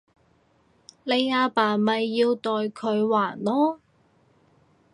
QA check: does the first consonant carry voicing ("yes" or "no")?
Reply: yes